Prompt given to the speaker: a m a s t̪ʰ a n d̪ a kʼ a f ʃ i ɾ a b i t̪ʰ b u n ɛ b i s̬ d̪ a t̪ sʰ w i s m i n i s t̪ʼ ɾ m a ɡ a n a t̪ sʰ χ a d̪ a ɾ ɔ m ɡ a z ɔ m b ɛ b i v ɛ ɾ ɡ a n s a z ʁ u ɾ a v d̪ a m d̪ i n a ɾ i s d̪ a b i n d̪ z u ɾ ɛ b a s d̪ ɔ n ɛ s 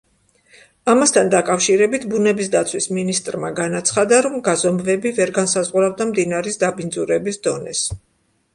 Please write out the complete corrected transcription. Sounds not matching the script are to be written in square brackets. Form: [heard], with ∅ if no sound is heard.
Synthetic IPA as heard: a m a s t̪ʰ a n d̪ a kʼ a f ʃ i ɾ [ɛ] b i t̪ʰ b u n ɛ b i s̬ d̪ a t̪ sʰ w i s m i n i s t̪ʼ ɾ m a ɡ a n a t̪ sʰ χ a d̪ a ɾ ɔ m ɡ a z ɔ m [v] ɛ b i v ɛ ɾ ɡ a n s a z ʁ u ɾ a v d̪ a m d̪ i n a ɾ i s d̪ a b i n d̪ z u ɾ ɛ b [i] s d̪ ɔ n ɛ s